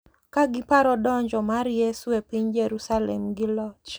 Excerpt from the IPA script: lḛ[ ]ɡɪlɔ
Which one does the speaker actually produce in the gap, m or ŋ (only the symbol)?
m